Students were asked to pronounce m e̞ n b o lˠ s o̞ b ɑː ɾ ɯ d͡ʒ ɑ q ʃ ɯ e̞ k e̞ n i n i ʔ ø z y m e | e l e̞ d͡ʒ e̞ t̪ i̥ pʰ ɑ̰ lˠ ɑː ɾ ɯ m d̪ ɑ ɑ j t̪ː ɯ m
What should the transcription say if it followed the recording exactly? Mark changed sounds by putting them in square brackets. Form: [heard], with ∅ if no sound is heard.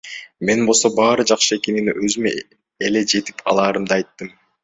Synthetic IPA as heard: m e̞ n b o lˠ s o̞ b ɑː ɾ ɯ d͡ʒ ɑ q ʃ ɯ e̞ k e̞ n i n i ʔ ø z y m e | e l e̞ d͡ʒ e̞ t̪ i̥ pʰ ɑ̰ lˠ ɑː ɾ ɯ m d̪ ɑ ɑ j t̪ː ɯ m